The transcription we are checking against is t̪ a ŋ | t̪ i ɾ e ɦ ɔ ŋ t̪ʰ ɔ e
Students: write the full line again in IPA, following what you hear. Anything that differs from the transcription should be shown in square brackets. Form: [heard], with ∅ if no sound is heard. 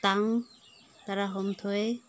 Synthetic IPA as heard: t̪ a ŋ | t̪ [a] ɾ [a] ɦ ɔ [m] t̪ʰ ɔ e